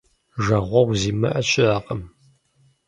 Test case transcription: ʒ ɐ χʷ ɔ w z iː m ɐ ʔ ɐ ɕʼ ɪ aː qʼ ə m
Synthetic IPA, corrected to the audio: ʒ ɐ ʁʷ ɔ w z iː m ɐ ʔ ɐ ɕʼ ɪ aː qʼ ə m